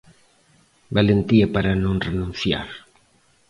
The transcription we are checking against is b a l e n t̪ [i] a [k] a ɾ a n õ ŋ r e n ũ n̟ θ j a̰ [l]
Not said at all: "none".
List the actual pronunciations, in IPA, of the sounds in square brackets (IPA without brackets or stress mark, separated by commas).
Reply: i, p, ɾ